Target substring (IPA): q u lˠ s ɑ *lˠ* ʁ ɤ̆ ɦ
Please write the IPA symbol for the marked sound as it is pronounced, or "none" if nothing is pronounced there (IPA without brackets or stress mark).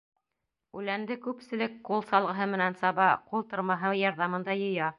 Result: lˠ